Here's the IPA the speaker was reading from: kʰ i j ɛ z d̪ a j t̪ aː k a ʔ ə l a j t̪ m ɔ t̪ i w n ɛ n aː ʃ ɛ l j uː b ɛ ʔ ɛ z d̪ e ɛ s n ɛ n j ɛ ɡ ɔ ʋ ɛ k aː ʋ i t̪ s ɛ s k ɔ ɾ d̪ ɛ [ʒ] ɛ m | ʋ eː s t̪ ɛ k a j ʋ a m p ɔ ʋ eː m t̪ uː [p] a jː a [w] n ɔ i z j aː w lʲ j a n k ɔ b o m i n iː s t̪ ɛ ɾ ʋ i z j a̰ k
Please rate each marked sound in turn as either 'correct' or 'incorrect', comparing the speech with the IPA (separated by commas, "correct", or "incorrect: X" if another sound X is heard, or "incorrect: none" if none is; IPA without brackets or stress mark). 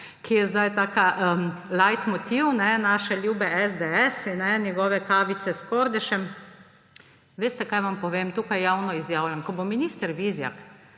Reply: incorrect: ʃ, incorrect: k, correct